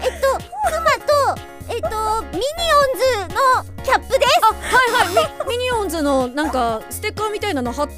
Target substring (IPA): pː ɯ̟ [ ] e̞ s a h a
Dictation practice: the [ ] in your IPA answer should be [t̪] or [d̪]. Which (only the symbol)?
d̪